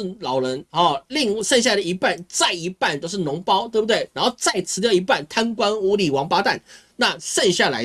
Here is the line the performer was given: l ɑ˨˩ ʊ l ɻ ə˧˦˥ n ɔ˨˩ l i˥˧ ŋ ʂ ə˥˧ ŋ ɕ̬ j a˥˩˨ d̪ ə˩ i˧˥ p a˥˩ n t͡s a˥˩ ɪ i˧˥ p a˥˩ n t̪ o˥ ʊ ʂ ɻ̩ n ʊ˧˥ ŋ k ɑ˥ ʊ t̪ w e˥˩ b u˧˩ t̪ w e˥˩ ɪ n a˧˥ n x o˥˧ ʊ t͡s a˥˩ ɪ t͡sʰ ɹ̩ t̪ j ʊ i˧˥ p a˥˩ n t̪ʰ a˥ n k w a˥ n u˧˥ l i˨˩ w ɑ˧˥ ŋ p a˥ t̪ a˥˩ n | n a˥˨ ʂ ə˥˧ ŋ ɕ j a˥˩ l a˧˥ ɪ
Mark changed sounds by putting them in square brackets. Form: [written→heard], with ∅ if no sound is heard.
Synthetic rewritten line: l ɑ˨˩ ʊ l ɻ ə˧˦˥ n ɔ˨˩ l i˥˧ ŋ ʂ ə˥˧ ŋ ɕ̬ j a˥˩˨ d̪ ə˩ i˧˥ p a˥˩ n t͡s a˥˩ ɪ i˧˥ p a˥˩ n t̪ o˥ ʊ ʂ ɻ̩ n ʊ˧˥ ŋ [k→p] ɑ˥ ʊ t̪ w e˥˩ b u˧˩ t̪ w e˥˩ ɪ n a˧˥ n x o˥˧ ʊ t͡s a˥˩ ɪ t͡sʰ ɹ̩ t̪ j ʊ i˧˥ p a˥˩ n t̪ʰ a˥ n k w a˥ n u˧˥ l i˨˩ w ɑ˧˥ ŋ p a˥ t̪ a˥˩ n | n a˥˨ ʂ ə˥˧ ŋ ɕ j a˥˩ l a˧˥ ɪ